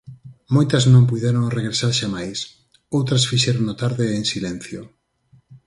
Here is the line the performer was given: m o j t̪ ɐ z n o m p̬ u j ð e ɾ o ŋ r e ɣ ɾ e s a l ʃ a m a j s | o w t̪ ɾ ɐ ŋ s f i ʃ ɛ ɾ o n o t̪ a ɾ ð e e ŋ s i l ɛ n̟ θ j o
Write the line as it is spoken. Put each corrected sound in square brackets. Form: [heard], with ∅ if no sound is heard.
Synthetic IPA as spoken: m o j t̪ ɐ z n [õ] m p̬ u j ð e ɾ o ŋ r e ɣ ɾ e s a [ɾ] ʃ a m a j s | o w t̪ ɾ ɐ [∅] s f i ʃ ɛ ɾ o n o t̪ a ɾ ð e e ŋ s i l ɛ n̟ θ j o